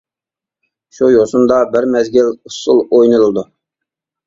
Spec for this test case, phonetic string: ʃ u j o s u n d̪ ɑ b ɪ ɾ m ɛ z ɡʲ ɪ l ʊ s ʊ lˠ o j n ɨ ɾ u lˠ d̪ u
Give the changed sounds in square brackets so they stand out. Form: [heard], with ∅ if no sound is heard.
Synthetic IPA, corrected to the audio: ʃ u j o s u n d̪ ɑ b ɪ ɾ m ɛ z ɡʲ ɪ l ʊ s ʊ lˠ o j n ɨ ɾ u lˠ d̪ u